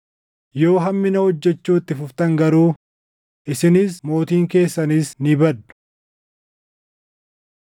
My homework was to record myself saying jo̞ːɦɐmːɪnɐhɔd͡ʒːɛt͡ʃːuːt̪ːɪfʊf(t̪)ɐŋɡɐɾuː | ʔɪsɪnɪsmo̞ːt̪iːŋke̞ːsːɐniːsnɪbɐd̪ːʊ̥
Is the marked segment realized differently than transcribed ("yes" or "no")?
no